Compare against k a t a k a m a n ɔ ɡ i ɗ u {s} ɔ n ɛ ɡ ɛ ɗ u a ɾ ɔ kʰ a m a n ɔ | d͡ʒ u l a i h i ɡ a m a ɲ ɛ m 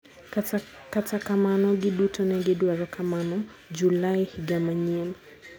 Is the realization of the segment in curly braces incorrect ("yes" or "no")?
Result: yes